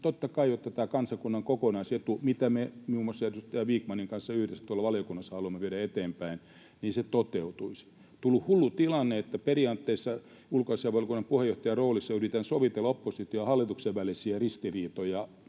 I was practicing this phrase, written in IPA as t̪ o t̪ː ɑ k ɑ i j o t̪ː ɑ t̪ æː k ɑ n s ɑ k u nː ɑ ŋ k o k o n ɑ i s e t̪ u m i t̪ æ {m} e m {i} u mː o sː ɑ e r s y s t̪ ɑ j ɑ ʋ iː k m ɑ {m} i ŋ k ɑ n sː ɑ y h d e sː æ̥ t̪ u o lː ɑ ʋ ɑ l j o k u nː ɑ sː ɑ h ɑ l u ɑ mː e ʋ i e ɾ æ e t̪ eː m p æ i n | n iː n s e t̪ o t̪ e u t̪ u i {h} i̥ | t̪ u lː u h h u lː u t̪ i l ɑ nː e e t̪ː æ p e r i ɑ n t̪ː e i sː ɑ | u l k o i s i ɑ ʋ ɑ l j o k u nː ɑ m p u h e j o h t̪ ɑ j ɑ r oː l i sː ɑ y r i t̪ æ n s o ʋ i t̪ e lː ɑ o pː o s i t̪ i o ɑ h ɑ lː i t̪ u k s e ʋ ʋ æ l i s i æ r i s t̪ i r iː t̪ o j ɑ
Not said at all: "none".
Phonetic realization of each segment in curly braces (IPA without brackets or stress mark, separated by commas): m, i, n, s